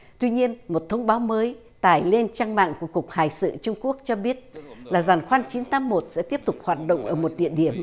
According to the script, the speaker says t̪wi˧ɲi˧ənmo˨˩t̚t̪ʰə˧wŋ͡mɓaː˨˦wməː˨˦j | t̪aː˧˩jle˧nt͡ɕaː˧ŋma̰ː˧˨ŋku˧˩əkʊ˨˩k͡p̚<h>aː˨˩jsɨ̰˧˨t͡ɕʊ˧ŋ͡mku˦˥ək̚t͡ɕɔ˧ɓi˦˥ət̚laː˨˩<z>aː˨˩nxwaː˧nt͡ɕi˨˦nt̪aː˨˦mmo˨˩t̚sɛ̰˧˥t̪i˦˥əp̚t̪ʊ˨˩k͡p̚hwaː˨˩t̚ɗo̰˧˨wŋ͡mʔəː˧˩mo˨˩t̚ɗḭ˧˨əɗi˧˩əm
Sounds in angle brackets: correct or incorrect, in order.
correct, correct

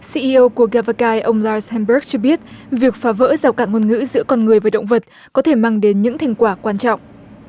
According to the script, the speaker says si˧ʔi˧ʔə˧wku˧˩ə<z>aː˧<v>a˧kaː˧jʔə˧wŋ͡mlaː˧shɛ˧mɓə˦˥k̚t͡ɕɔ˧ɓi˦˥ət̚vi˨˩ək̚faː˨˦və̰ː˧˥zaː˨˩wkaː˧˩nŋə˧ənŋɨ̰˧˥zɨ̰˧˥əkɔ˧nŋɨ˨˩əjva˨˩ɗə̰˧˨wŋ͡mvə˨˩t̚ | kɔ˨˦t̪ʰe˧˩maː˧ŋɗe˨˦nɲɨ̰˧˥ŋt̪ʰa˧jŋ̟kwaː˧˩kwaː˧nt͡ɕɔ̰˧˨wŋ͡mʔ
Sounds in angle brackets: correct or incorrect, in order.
incorrect: ɣ, correct

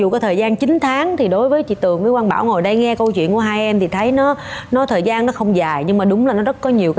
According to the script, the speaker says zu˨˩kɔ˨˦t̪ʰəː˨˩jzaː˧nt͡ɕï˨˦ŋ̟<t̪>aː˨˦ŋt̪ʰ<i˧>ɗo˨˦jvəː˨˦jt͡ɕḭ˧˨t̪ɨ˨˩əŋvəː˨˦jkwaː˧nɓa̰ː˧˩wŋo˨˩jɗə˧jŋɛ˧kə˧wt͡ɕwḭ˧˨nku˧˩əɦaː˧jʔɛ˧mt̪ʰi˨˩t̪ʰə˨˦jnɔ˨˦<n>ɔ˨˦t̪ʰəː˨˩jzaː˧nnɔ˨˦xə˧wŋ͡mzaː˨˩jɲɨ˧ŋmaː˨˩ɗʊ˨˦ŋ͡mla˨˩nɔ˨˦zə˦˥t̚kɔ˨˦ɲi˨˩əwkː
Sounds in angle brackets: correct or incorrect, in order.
incorrect: t̪ʰ, incorrect: i˨˩, correct

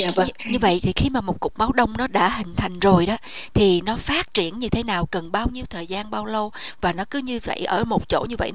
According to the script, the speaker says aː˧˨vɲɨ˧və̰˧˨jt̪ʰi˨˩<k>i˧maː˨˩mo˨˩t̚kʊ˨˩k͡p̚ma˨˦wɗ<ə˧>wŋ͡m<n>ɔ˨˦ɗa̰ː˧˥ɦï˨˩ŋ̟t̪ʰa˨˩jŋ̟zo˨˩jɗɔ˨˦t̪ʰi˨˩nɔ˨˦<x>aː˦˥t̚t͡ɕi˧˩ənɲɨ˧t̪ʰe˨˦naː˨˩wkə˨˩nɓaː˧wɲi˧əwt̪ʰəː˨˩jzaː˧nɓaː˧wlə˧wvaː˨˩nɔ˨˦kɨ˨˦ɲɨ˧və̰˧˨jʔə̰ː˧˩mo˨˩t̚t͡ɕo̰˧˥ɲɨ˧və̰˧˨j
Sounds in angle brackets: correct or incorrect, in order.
incorrect: x, correct, correct, incorrect: f

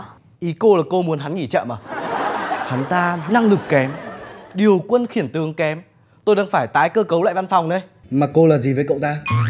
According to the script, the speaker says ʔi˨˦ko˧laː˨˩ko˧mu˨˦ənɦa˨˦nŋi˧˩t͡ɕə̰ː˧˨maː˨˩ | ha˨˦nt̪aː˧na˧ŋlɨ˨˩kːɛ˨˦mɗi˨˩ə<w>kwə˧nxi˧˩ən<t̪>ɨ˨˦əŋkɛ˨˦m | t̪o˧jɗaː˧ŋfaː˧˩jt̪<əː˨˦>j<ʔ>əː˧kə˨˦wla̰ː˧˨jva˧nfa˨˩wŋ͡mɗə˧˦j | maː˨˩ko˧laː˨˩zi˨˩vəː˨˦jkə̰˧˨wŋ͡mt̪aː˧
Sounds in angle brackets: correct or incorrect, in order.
correct, correct, incorrect: aː˨˦, incorrect: k

